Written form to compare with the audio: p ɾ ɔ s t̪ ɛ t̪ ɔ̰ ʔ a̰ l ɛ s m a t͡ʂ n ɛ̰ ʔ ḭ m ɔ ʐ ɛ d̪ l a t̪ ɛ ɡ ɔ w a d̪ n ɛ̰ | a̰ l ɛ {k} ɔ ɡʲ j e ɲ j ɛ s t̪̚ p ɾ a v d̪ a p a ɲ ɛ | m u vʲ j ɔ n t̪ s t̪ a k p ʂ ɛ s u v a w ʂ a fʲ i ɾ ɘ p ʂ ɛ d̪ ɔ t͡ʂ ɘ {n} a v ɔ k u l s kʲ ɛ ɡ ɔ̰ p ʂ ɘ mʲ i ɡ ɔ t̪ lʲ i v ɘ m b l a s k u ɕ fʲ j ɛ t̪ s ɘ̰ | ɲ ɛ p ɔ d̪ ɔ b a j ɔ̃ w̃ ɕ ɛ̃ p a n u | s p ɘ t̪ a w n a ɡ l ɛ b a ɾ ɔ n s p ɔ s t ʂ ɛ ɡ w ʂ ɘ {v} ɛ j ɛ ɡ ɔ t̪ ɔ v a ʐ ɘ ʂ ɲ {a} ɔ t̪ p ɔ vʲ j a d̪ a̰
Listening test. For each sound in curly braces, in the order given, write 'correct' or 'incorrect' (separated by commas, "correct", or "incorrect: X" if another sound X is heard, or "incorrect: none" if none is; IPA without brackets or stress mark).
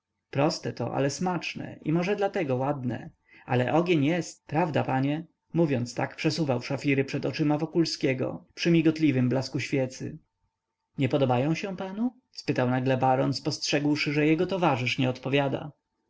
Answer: incorrect: ʔ, incorrect: m, incorrect: ʐ, incorrect: ɛ